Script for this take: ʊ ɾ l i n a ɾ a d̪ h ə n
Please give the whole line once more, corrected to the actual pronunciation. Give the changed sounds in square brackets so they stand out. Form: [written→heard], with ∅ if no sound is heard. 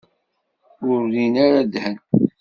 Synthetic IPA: ʊ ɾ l i n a ɾ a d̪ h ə n